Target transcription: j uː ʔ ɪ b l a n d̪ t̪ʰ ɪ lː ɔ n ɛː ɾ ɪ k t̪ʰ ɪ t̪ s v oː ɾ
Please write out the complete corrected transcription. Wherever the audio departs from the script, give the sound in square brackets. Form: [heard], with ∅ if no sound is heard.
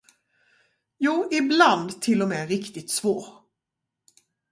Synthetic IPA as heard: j uː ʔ ɪ b l a n d̪ t̪ʰ ɪ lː ɔ [m] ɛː ɾ ɪ k [t̪] ɪ t̪ s v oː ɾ